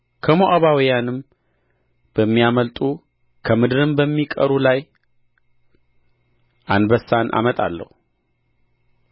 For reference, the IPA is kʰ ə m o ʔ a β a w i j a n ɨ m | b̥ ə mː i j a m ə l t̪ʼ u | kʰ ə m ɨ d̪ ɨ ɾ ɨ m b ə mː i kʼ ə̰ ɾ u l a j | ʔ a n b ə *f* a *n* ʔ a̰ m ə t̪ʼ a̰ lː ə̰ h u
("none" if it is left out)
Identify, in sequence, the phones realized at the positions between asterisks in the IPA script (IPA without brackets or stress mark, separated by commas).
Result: s, n